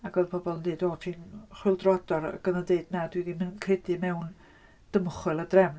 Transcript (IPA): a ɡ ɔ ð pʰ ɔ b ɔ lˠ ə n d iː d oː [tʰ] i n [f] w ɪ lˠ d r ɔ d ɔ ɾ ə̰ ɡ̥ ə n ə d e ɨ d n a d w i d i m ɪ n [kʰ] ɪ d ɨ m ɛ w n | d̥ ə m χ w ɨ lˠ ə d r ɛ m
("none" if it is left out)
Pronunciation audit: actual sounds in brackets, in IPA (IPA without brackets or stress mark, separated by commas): tʰ, χ, kʰ